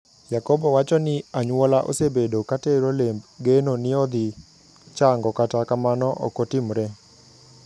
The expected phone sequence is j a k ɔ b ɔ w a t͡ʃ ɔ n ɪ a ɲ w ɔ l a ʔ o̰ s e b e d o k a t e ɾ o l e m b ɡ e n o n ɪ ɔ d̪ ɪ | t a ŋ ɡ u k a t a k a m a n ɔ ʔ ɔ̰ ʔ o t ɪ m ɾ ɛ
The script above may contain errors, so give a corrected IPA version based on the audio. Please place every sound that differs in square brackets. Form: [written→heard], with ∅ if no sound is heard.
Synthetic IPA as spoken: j a k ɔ b ɔ w a t͡ʃ ɔ n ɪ a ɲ w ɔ l a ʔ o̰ s e b e d o k a t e ɾ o l e m b ɡ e n o n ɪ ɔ d̪ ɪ | [t→t͡ʃ] a ŋ ɡ [u→ɔ] k a t a k a m a n ɔ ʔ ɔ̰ [ʔ→k] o t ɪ m ɾ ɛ